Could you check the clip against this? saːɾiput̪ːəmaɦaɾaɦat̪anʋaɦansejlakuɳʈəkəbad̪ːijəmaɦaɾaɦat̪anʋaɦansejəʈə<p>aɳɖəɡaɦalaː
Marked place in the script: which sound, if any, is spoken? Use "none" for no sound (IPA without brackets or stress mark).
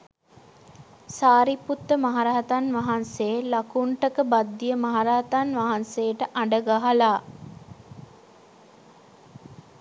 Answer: ʔ